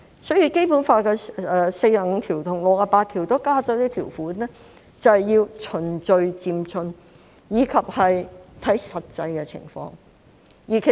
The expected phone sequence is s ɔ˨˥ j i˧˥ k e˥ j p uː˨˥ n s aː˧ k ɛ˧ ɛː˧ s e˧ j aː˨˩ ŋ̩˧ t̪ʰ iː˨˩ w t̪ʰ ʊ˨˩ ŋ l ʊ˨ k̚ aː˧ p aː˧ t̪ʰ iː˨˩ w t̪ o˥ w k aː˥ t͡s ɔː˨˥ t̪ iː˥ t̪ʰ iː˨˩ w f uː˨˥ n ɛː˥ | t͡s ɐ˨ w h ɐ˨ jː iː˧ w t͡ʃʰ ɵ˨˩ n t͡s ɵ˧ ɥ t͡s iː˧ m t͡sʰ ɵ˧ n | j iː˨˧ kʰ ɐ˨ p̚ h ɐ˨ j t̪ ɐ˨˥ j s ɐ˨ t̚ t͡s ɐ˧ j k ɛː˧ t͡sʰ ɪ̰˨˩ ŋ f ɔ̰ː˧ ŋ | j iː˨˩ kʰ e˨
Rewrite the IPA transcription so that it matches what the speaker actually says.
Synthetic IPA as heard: s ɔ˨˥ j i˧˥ k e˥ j p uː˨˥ n f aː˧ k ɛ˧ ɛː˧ s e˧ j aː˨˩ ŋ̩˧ t̪ʰ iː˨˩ w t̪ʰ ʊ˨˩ ŋ l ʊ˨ k̚ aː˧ p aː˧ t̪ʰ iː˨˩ w t̪ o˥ w k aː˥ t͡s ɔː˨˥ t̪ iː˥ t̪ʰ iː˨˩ w f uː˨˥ n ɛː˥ | t͡s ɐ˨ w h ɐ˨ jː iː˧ w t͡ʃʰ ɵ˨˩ n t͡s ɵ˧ ɥ t͡s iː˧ m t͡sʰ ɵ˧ n | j iː˨˧ kʰ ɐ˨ p̚ h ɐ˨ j t̪ʰ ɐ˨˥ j s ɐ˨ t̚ t͡s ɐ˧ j k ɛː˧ t͡sʰ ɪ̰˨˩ ŋ f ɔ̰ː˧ ŋ | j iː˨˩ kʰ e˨